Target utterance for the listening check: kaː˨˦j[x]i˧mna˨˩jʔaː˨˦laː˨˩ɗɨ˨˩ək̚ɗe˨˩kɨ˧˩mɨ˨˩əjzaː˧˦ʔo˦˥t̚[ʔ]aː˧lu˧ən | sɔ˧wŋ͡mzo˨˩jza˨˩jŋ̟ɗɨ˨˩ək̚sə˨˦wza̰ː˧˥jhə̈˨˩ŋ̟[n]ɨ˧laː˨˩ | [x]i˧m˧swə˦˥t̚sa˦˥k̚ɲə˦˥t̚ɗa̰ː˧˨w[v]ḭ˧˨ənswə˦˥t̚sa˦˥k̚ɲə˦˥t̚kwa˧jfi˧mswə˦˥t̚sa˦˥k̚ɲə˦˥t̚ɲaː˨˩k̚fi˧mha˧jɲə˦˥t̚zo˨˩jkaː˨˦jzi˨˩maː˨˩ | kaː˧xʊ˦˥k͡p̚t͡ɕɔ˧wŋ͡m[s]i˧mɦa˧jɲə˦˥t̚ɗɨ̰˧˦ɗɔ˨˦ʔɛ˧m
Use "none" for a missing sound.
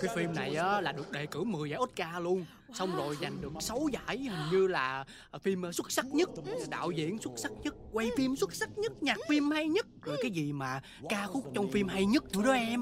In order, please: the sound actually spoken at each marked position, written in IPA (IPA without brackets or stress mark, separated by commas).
f, k, ɲ, f, z, f